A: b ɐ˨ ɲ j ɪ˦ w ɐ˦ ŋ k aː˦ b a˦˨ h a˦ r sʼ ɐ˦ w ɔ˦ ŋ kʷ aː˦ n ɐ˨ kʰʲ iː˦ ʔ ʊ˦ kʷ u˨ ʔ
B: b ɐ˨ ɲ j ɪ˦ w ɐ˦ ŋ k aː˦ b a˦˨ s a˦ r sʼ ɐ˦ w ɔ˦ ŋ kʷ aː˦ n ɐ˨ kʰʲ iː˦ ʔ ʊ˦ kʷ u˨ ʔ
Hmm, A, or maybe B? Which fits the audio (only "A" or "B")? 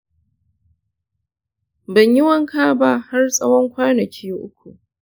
A